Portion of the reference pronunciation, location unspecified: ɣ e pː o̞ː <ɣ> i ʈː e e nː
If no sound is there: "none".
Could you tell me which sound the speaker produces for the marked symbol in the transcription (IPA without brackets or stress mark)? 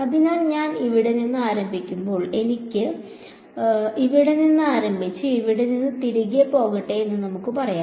ɣ